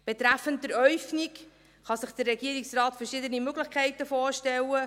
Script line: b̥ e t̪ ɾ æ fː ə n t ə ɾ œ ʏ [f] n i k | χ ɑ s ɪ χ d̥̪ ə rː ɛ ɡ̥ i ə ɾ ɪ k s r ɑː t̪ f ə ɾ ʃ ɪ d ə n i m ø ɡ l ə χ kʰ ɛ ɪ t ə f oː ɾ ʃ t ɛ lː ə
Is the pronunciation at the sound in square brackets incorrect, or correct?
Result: correct